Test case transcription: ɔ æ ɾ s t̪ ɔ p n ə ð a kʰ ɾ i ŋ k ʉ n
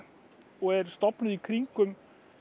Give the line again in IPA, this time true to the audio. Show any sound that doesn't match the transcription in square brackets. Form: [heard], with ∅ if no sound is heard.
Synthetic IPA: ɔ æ ɾ s t̪ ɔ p n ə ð [i] kʰ ɾ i ŋ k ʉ [m]